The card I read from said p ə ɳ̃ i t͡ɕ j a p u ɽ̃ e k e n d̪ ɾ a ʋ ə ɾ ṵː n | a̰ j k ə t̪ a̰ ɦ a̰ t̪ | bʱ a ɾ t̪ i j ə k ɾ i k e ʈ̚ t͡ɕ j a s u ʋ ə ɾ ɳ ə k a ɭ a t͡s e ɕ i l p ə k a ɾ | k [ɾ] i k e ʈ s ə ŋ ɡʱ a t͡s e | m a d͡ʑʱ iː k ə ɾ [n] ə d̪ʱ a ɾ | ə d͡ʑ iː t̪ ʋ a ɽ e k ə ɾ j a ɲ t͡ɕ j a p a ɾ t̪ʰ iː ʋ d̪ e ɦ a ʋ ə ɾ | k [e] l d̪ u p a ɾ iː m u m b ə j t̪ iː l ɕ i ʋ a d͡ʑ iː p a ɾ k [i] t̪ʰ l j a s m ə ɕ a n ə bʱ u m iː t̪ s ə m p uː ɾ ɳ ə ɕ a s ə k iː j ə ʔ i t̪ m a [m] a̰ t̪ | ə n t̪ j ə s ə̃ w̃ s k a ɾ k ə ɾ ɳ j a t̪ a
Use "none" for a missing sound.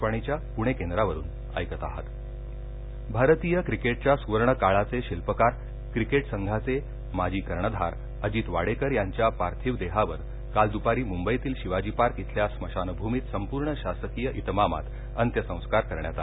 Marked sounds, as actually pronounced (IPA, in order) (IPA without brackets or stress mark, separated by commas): ɾ, ɳ, a, i, m